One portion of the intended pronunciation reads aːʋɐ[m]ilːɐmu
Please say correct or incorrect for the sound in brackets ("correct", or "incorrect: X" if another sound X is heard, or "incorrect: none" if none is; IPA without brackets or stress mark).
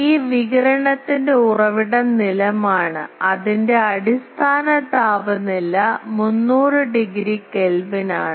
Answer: incorrect: n